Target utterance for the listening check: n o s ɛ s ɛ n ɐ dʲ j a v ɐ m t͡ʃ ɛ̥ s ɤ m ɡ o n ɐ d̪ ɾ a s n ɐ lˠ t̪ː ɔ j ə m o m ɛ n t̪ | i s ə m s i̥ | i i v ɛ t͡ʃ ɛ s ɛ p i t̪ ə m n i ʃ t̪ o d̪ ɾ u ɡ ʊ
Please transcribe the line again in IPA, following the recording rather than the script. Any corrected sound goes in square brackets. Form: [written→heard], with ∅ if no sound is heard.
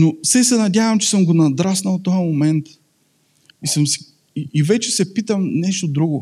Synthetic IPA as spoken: n o s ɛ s ɛ n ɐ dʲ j a v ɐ m t͡ʃ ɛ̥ s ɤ m ɡ o n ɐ d̪ ɾ a s n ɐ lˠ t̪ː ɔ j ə m o m ɛ n t̪ | i s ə m s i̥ | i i v ɛ t͡ʃ ɛ s ɛ p i t̪ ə m n [i→ɛ] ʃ t̪ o d̪ ɾ u ɡ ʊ